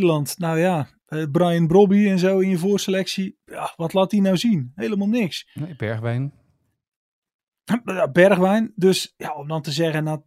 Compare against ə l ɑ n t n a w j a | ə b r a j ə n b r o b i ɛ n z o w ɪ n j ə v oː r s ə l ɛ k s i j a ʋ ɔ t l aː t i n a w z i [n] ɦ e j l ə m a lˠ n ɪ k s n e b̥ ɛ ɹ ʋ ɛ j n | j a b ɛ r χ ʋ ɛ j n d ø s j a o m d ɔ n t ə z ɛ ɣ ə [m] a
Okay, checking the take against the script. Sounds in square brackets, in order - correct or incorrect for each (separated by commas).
correct, incorrect